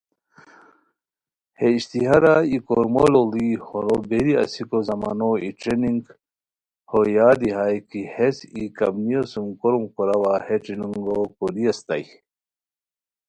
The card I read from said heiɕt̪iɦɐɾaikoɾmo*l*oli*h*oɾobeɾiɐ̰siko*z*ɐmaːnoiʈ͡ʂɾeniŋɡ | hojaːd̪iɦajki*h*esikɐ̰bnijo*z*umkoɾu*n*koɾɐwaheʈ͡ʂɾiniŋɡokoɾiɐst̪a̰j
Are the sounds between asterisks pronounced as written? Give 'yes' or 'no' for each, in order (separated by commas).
yes, yes, yes, yes, no, no